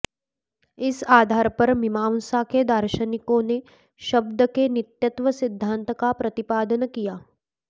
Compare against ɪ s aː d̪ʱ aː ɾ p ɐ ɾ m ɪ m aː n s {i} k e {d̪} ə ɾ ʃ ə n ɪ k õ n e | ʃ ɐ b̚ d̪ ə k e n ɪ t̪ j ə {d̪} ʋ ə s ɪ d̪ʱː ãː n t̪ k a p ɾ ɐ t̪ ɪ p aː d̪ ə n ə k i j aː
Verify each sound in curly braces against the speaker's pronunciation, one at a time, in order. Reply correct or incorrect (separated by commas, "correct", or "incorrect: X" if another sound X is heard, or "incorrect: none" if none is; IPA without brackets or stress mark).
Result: incorrect: a, correct, incorrect: t̪